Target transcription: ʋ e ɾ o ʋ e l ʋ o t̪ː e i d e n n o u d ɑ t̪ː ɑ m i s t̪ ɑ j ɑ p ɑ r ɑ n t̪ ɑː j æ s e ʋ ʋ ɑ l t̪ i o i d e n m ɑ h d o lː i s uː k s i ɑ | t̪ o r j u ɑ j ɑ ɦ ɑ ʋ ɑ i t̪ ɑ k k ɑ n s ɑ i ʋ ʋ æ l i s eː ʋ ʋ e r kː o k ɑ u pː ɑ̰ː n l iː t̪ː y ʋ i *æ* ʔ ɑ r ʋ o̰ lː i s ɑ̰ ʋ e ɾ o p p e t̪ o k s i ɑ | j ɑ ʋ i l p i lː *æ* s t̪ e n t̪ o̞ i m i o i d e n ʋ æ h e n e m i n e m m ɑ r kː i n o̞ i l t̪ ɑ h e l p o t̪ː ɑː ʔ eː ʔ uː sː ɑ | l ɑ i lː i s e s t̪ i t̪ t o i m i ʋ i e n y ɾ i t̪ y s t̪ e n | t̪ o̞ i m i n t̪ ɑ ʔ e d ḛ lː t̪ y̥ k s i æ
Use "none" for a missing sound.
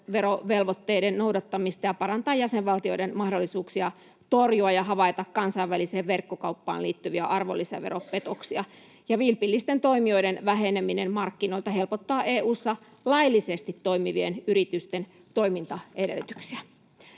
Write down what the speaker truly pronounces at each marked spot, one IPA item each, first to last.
æ, i

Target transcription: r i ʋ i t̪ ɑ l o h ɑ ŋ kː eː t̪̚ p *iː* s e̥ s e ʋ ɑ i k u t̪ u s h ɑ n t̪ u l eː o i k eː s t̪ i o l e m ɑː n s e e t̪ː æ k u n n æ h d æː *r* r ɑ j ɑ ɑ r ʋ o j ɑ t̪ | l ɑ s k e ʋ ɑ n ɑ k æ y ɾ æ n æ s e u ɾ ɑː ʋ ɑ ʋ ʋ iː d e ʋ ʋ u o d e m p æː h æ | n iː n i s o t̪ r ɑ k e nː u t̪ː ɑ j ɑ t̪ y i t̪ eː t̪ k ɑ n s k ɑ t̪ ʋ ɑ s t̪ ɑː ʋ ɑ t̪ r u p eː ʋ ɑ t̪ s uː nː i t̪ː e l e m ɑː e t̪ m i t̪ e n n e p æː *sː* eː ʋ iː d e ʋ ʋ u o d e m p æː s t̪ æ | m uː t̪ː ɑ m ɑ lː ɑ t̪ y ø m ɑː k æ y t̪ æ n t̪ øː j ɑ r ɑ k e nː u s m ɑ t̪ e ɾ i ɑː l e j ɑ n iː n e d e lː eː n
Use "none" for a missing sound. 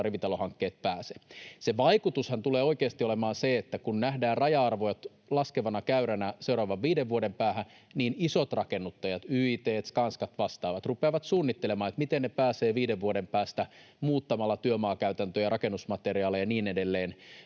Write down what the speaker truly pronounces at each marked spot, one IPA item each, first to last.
æː, r, s

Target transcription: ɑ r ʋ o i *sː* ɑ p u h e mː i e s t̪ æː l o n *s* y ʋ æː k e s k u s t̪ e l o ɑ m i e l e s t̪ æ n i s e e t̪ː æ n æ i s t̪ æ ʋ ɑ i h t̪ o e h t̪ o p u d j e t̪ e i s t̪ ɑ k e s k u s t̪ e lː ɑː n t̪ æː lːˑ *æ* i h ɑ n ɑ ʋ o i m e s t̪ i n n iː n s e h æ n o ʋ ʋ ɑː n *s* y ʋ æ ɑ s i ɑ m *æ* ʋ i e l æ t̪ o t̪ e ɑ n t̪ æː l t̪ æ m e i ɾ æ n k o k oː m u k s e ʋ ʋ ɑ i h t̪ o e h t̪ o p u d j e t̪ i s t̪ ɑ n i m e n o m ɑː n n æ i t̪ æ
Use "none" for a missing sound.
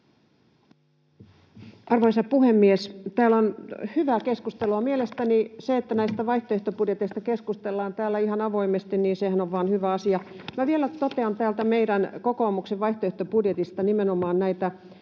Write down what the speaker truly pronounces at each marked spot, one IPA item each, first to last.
s, h, æ, h, æ

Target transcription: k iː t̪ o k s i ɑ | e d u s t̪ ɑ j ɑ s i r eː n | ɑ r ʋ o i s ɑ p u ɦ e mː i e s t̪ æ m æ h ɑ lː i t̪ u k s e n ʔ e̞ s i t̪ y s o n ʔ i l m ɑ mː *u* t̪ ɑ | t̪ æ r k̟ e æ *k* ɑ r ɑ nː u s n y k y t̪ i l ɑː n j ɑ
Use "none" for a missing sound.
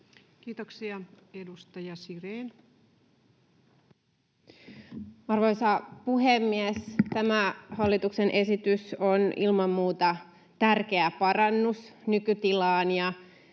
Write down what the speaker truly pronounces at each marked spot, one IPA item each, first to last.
uː, p

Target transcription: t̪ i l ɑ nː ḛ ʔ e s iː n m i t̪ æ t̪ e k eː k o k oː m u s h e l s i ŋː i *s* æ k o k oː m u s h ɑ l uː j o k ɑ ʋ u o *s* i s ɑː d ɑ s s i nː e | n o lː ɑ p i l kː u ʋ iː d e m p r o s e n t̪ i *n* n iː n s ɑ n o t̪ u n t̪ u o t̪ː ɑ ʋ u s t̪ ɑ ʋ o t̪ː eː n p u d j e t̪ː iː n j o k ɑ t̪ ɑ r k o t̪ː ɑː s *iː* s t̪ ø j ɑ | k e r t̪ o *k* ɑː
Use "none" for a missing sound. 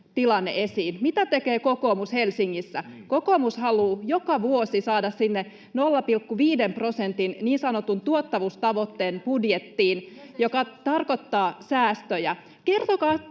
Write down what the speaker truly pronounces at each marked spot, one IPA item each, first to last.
sː, s, n, æː, k

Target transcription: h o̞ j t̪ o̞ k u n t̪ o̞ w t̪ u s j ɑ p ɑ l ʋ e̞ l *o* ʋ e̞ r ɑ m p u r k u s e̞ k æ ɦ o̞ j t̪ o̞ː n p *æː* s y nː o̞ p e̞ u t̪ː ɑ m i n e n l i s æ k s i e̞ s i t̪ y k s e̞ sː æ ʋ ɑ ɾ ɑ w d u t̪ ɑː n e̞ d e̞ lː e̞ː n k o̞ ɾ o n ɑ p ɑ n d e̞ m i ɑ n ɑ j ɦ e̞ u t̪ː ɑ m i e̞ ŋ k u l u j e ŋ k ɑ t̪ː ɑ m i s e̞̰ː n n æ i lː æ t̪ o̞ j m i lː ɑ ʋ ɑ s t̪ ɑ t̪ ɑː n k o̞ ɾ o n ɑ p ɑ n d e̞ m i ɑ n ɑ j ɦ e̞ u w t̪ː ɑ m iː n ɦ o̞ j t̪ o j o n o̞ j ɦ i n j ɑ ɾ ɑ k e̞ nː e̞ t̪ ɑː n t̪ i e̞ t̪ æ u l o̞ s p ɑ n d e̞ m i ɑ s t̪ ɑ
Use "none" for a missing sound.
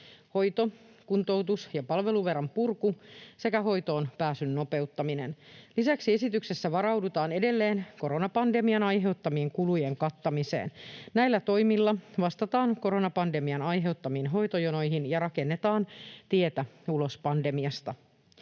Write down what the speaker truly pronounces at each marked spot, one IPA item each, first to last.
u, æː

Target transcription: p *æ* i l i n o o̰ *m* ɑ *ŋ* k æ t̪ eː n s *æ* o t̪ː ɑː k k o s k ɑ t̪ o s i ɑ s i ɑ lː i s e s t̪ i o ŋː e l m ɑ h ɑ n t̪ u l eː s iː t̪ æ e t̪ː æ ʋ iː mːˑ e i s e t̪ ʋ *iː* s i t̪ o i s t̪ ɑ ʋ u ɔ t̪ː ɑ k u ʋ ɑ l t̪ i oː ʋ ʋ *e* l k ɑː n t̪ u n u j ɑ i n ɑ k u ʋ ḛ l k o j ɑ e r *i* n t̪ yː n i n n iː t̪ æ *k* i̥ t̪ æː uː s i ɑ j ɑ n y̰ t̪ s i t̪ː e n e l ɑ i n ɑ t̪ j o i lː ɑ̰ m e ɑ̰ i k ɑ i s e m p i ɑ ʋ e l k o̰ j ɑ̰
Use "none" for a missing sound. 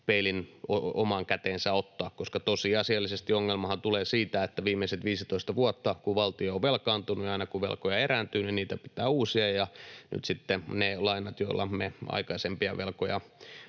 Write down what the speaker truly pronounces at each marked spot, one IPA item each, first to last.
e, m, ŋ, æ, iː, e, æ, p

